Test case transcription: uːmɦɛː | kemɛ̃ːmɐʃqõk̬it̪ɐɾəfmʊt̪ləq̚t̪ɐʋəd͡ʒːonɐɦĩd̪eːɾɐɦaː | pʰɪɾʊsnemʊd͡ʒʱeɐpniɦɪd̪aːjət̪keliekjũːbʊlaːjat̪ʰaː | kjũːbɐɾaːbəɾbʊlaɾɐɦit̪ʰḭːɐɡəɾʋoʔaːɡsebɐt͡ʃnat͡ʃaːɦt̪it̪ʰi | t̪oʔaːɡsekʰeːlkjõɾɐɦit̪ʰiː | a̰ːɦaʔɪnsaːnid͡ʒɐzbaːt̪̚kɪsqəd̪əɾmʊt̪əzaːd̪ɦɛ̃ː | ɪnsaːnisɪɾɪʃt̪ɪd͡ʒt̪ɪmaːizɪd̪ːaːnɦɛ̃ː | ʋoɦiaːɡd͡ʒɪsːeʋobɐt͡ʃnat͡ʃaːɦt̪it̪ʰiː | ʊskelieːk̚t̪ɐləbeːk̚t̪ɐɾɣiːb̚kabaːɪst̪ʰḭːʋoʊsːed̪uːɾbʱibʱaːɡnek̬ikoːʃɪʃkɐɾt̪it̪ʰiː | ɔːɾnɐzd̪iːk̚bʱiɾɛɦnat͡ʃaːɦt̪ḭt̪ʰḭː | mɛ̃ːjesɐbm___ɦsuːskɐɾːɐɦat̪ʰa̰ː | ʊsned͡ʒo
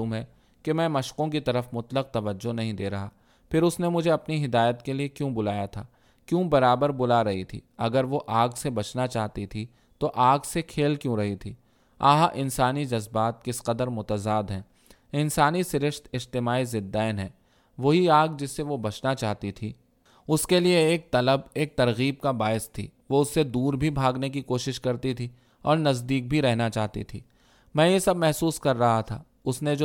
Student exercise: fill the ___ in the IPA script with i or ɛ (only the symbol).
ɛ